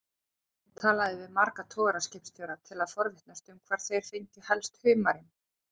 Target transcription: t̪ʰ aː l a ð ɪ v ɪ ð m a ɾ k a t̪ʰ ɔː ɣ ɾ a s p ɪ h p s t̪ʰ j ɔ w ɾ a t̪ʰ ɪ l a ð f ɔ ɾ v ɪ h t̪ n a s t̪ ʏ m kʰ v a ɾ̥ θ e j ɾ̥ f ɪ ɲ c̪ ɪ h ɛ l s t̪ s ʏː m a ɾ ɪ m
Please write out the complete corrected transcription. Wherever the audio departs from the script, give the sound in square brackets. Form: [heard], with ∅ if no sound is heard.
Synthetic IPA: t̪ʰ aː l a ð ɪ v ɪ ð m a ɾ k a t̪ʰ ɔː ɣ ɾ a s [c] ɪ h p s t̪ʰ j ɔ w ɾ a t̪ʰ ɪ l a ð f ɔ ɾ v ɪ h t̪ n a s t̪ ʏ m kʰ v a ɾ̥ θ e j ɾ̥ f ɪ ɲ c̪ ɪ h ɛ l s t̪ [h] ʏː m a ɾ ɪ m